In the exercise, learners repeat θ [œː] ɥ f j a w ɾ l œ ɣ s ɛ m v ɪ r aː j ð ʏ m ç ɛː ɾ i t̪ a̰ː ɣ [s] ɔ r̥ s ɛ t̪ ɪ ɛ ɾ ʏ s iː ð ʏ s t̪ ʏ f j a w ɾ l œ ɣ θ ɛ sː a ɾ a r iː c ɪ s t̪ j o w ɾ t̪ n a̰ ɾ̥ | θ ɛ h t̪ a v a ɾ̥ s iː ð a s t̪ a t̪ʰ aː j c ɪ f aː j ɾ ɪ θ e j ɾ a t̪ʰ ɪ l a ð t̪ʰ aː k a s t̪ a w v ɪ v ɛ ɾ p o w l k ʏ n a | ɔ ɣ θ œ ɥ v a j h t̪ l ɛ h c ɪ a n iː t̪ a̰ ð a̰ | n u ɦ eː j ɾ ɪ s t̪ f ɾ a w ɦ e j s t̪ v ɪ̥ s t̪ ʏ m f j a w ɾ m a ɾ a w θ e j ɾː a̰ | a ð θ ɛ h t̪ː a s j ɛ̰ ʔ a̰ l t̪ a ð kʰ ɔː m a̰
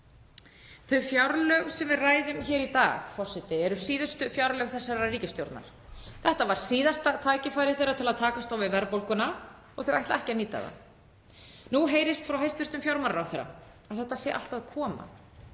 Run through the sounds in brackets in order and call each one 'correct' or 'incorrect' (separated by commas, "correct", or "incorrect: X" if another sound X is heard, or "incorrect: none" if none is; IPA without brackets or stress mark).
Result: incorrect: œ, incorrect: f